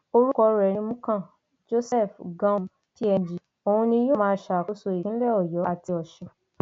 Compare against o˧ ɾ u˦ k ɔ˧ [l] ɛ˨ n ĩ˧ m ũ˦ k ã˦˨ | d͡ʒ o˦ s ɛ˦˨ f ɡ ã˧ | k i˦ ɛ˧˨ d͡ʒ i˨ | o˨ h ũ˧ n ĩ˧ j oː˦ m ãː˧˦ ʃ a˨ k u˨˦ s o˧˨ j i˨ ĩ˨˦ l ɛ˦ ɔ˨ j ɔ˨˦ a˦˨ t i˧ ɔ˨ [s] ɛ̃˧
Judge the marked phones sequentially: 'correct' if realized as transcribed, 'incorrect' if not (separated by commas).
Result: incorrect, incorrect